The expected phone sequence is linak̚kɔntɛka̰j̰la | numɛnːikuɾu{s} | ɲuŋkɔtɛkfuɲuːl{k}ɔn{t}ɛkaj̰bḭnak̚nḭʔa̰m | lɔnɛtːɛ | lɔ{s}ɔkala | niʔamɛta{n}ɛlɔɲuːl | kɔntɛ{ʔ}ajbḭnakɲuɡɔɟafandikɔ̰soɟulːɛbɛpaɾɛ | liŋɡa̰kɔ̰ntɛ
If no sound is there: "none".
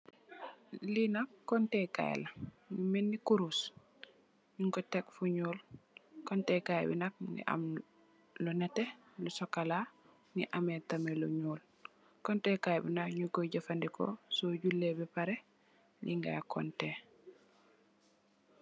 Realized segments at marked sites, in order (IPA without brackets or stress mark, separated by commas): s, k, t, s, m, k